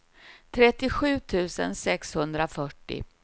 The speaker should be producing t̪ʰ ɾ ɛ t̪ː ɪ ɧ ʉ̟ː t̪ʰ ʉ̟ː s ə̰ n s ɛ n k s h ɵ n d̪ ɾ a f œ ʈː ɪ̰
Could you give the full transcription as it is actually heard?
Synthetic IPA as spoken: t̪ʰ ɾ ɛ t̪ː ɪ ɧ ʉ̟ː t̪ʰ ʉ̟ː s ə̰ n s ɛ k s h ɵ n d̪ ɾ a f œ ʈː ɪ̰